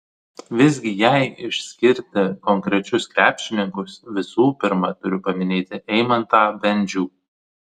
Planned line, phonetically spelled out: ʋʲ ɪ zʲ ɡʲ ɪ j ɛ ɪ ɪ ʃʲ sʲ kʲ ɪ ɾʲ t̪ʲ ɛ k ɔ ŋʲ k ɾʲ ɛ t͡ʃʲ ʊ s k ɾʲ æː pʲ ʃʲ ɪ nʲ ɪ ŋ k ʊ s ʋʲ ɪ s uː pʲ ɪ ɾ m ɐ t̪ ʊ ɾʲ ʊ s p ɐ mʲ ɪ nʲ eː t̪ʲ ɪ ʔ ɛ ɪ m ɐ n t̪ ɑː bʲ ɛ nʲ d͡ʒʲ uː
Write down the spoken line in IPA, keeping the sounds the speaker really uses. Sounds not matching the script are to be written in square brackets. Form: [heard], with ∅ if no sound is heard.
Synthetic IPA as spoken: ʋʲ ɪ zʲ ɡʲ ɪ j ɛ ɪ ɪ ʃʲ sʲ kʲ ɪ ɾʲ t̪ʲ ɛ k ɔ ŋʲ k ɾʲ ɛ t͡ʃʲ ʊ s k ɾʲ æː pʲ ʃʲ ɪ nʲ ɪ ŋ k ʊ s ʋʲ ɪ s uː pʲ ɪ ɾ m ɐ t̪ ʊ ɾʲ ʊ [∅] p ɐ mʲ ɪ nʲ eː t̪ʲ ɪ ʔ ɛ ɪ m ɐ n t̪ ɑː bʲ ɛ nʲ d͡ʒʲ uː

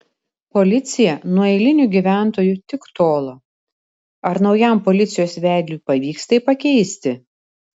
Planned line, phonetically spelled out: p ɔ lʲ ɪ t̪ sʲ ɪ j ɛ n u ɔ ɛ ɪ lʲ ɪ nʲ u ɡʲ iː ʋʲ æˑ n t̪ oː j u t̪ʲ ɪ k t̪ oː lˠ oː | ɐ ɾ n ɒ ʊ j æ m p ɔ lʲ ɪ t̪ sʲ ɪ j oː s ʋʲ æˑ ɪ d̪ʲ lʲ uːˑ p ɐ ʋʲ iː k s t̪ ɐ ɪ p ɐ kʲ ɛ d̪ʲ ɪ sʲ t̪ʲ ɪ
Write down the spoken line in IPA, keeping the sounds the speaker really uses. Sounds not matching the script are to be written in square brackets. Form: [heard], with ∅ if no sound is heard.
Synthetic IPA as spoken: p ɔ lʲ ɪ t̪ sʲ ɪ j ɛ n u ɔ ɛ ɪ lʲ ɪ nʲ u ɡʲ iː ʋʲ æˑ n t̪ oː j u t̪ʲ ɪ k t̪ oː lˠ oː | ɐ ɾ n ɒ ʊ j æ m p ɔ lʲ ɪ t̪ sʲ ɪ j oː s ʋʲ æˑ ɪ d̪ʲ lʲ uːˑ p ɐ ʋʲ iː k s t̪ ɐ ɪ p ɐ kʲ ɛ [∅] ɪ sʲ t̪ʲ ɪ

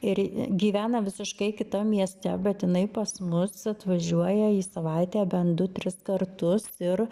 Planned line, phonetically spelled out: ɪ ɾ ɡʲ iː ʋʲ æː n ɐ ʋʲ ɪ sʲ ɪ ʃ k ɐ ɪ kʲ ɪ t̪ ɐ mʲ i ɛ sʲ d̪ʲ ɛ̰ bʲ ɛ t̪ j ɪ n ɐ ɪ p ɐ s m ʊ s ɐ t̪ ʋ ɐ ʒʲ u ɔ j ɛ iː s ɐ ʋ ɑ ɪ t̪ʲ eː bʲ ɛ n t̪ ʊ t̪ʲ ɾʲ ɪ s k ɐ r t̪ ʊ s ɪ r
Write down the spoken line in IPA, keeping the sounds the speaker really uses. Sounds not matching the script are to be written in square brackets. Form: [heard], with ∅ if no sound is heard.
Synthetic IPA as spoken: ɪ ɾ ɡʲ iː ʋʲ æː n ɐ ʋʲ ɪ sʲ ɪ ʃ k ɐ ɪ kʲ ɪ t̪ ɐ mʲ i ɛ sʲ [t̪ʲ] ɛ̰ bʲ ɛ t̪ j ɪ n ɐ ɪ p ɐ s m ʊ s ɐ t̪ ʋ ɐ ʒʲ u ɔ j ɛ iː s ɐ ʋ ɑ ɪ t̪ʲ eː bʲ ɛ n [d̪] ʊ t̪ʲ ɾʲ ɪ s k ɐ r t̪ ʊ s ɪ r

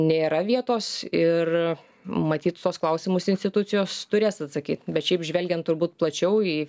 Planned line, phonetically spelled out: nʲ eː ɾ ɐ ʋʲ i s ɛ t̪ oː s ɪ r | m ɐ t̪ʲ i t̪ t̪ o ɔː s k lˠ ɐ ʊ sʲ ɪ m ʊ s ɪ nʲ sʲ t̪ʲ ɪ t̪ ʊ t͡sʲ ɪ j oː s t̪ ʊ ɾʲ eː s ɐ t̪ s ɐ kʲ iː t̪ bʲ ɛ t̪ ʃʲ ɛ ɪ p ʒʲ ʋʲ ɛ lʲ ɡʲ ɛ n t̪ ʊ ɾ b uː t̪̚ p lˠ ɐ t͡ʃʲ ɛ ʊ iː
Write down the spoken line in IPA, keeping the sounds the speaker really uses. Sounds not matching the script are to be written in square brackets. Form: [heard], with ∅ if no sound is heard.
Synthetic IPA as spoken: nʲ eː ɾ ɐ ʋʲ i [∅] ɛ t̪ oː s ɪ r | m ɐ t̪ʲ [iː] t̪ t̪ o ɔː s k lˠ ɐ ʊ sʲ ɪ m ʊ s ɪ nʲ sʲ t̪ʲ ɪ t̪ ʊ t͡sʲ ɪ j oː s t̪ ʊ ɾʲ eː s ɐ t̪ s ɐ kʲ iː t̪ bʲ ɛ t̪ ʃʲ ɛ ɪ p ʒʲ ʋʲ ɛ lʲ ɡʲ ɛ n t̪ ʊ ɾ b uː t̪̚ p lˠ ɐ t͡ʃʲ ɛ ʊ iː

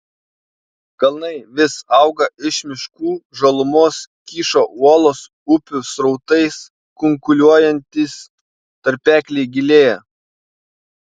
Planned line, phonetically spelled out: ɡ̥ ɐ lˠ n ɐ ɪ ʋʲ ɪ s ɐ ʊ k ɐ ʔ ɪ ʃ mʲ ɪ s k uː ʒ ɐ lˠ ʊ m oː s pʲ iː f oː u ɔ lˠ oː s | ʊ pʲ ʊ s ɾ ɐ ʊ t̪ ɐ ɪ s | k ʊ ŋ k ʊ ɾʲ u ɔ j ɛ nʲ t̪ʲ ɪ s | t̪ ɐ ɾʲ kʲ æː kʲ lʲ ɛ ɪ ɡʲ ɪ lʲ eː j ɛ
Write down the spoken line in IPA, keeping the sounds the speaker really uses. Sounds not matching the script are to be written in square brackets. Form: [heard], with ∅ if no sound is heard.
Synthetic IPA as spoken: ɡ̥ ɐ lˠ n ɐ ɪ ʋʲ ɪ s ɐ ʊ [ɡ] ɐ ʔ ɪ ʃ mʲ ɪ [ʃ] k uː ʒ ɐ lˠ ʊ m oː s [kʲ] iː [ʃ] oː u ɔ lˠ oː s | ʊ pʲ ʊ s ɾ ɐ ʊ t̪ ɐ ɪ s | k ʊ ŋ k ʊ [lʲ] u ɔ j ɛ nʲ t̪ʲ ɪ s | t̪ ɐ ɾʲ [pʲ] æː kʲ lʲ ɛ ɪ ɡʲ ɪ lʲ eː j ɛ

